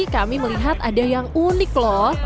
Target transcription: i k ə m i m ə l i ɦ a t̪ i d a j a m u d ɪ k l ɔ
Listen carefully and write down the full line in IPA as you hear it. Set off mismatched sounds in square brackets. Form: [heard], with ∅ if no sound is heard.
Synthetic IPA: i k [a] m i m ə l i ɦ a t̪ [a] d a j a [ŋ] u [n] ɪ k l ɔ